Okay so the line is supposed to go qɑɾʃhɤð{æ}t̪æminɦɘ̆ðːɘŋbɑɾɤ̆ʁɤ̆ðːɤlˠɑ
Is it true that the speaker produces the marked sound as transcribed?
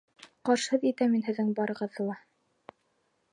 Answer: no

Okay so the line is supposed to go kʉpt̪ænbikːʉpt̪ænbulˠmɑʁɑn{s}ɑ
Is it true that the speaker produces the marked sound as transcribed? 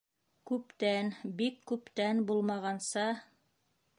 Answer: yes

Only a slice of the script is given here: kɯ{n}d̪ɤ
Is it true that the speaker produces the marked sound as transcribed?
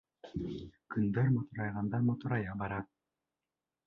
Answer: yes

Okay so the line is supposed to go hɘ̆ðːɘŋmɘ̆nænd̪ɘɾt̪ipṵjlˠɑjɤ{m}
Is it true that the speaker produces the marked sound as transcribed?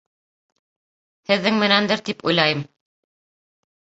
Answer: yes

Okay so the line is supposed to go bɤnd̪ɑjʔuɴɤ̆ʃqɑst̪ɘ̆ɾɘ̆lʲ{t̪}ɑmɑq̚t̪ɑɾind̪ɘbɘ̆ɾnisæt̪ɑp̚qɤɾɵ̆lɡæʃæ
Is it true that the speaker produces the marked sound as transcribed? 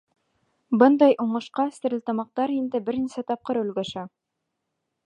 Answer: yes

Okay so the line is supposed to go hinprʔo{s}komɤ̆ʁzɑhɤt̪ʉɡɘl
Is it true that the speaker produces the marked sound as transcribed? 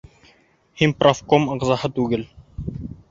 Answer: no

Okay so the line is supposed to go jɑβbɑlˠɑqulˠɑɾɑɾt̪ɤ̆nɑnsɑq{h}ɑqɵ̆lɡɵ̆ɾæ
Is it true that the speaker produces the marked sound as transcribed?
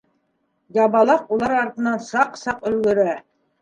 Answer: no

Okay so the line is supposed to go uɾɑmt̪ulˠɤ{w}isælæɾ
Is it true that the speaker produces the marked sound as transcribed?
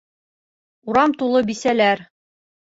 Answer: no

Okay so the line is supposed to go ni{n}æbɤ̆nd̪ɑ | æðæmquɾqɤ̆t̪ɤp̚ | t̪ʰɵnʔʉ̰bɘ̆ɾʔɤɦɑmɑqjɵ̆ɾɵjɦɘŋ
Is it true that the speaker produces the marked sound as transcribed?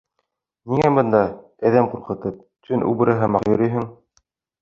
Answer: no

